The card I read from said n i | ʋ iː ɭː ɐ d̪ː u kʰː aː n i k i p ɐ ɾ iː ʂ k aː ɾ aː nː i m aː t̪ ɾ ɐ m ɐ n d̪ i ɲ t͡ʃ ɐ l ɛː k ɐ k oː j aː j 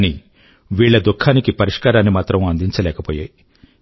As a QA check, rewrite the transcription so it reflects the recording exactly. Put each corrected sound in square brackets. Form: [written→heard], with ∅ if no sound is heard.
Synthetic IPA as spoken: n i | ʋ iː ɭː ɐ [d̪ː→d̪] u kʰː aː n i k i p ɐ ɾ [iː→i] ʂ k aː ɾ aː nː i m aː t̪ ɾ ɐ m ɐ n d̪ i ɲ t͡ʃ ɐ l ɛː k ɐ [k→p] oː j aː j

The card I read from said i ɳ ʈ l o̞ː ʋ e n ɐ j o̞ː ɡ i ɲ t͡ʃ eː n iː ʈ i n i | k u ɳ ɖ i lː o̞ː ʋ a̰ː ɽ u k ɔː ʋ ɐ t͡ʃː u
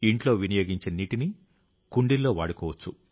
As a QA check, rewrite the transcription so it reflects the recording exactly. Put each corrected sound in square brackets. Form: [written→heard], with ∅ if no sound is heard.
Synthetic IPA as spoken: i ɳ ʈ l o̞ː ʋ [e→i] n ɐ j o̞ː ɡ i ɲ t͡ʃ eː n iː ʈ i n i | k u ɳ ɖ i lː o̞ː ʋ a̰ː ɽ u k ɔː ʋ ɐ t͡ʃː u

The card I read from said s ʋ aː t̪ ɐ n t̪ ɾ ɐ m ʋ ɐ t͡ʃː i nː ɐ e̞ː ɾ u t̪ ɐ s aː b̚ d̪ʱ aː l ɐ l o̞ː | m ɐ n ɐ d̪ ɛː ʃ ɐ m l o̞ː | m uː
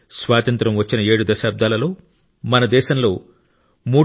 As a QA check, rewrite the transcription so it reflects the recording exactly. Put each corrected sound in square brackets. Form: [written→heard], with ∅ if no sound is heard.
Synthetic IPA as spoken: s ʋ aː t̪ ɐ n t̪ ɾ ɐ m ʋ ɐ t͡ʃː i [nː→n] ɐ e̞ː [ɾ→ɽ] u [t̪→d̪] ɐ [s→ʃ] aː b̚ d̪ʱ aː l ɐ l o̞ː | m ɐ n ɐ d̪ ɛː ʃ ɐ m l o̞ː | m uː

